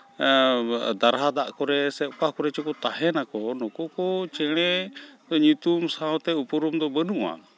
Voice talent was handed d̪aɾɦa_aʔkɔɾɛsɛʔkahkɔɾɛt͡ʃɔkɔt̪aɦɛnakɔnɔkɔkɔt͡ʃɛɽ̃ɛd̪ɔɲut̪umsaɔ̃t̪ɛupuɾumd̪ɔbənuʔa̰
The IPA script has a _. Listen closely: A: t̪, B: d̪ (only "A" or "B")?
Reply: B